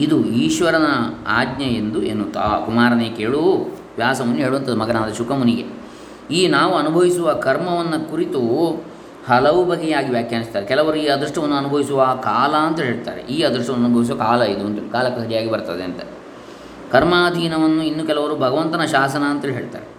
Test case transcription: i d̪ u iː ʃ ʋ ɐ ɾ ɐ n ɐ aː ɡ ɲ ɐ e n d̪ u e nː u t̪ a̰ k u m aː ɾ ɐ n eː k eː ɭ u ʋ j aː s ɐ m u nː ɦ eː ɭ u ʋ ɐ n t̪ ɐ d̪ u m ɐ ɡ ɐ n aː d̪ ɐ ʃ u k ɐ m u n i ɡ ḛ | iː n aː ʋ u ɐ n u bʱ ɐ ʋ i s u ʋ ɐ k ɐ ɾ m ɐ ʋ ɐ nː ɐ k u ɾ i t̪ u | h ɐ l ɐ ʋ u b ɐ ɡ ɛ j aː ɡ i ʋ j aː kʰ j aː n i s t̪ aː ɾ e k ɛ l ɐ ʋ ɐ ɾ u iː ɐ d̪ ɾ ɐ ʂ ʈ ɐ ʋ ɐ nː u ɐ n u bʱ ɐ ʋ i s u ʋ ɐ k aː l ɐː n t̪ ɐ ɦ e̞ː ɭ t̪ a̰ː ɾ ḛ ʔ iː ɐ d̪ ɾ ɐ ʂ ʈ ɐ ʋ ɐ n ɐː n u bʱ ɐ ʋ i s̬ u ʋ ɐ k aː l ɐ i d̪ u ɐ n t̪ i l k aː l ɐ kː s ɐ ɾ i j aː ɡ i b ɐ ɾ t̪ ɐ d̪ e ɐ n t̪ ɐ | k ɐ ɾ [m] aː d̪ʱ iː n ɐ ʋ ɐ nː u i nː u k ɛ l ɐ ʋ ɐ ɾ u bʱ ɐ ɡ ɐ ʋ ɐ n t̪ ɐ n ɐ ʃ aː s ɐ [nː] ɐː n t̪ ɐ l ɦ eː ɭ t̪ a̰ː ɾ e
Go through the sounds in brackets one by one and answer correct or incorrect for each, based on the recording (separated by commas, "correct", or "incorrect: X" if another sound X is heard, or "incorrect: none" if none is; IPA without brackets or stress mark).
correct, incorrect: n